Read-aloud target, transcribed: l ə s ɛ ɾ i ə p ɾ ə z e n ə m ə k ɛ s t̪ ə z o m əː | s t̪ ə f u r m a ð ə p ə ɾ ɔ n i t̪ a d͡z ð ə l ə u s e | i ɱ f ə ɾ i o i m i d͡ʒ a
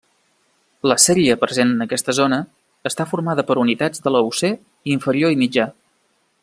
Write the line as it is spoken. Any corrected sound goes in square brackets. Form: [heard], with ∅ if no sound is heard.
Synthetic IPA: l ə s ɛ ɾ i ə p ɾ ə z e n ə [n] ə k ɛ s t̪ ə z o [n] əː | s t̪ [a] f u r m a ð ə p ə ɾ [u] n i t̪ a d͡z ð ə l ə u s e | i ɱ f ə ɾ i o i m i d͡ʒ a